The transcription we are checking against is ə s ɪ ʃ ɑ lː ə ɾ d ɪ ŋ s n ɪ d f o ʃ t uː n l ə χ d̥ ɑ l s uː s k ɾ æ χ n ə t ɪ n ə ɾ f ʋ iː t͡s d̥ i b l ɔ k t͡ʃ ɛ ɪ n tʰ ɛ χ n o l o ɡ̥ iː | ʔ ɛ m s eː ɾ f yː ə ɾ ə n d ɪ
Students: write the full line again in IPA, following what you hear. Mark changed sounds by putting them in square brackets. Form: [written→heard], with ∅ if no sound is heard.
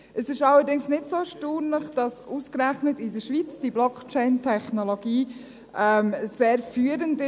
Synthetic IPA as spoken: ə s ɪ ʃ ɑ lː ə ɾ d ɪ ŋ s n ɪ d [f→s] o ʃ t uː n l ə χ d̥ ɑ [l→∅] s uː s k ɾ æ χ n ə t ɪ [n→d] ə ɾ [f→ʃ] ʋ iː t͡s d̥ i b l ɔ k t͡ʃ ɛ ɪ n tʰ ɛ χ n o l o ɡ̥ iː | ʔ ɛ m s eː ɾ f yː ə ɾ ə n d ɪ